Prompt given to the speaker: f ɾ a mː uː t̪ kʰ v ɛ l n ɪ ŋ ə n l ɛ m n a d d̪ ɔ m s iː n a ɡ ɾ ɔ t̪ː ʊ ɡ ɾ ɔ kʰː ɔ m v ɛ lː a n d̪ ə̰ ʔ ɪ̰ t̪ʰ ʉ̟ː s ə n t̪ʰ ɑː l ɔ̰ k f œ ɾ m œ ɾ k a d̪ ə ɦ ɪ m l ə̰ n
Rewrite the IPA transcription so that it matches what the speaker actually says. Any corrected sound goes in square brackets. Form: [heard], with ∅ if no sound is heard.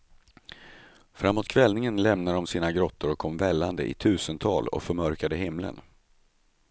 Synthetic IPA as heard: f ɾ a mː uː t̪ kʰ v ɛ l n ɪ ŋ ə n l ɛ m n a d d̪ ɔ m s iː n a ɡ ɾ ɔ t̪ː ʊ [∅] ɾ ɔ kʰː ɔ m v ɛ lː a n d̪ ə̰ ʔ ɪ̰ t̪ʰ ʉ̟ː s ə n t̪ʰ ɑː l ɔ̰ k f œ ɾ m œ ɾ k a d̪ ə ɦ ɪ m l ə̰ n